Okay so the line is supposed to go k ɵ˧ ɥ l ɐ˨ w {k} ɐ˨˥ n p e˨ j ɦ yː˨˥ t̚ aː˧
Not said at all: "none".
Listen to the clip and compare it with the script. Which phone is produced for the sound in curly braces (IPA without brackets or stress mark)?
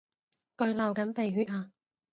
k